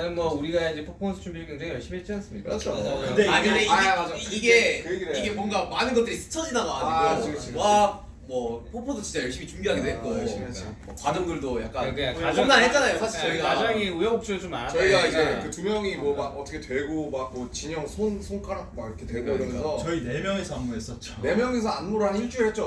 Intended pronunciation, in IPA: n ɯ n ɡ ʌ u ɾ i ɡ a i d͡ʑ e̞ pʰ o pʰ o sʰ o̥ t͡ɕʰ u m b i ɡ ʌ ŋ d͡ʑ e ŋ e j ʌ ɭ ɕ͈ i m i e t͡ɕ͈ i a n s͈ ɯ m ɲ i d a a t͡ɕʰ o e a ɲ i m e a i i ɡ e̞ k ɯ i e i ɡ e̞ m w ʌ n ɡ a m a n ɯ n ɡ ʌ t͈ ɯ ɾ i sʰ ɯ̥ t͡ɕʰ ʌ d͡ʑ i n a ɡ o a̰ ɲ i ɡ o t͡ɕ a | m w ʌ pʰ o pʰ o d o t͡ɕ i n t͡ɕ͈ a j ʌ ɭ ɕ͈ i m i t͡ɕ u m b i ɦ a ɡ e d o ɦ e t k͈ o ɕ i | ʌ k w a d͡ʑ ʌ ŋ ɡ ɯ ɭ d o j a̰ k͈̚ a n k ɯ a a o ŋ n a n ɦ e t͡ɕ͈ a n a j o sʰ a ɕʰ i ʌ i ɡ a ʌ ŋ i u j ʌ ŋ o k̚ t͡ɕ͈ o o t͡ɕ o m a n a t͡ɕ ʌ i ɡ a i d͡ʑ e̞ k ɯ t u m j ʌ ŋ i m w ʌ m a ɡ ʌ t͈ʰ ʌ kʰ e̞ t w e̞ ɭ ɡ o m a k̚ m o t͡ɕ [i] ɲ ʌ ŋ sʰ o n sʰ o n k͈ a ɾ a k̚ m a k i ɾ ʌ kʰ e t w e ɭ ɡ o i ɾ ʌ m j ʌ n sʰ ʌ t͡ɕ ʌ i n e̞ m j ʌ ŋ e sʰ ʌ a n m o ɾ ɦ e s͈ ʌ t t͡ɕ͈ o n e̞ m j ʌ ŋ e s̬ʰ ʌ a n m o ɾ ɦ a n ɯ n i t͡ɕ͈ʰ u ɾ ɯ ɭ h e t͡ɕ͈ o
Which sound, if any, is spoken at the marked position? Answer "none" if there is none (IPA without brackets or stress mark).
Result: i